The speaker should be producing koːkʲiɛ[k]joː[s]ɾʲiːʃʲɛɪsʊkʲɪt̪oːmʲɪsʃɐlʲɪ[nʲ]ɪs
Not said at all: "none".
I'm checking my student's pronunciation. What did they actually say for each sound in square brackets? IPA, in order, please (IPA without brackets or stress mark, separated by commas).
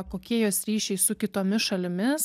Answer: none, s, mʲ